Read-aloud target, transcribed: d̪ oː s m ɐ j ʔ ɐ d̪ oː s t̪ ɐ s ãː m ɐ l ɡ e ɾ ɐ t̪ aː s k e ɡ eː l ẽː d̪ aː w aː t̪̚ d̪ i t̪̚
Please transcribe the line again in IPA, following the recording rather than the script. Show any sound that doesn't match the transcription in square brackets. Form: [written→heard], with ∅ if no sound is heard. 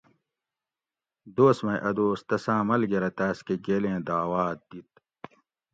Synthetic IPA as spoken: d̪ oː s m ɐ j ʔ ɐ d̪ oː s t̪ ɐ s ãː m ɐ l ɡ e ɾ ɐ t̪ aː s k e ɡ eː l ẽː d̪ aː w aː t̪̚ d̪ i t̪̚